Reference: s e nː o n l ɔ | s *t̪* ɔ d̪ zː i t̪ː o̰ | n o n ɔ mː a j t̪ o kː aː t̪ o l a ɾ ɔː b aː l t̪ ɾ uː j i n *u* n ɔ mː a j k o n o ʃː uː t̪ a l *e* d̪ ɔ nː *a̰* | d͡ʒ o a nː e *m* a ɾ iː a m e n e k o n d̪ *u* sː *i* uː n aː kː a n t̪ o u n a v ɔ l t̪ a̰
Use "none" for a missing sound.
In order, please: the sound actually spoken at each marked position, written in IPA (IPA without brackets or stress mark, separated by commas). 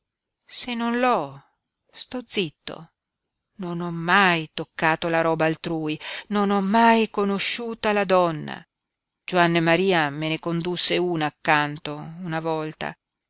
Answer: t̪, o, a, a̰, m, u, e